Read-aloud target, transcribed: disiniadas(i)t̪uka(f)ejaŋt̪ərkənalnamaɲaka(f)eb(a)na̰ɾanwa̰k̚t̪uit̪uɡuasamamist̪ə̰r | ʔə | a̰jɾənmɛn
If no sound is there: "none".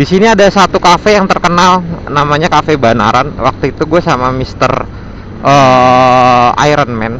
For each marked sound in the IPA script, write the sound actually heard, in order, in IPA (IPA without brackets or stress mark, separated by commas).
a, f, f, a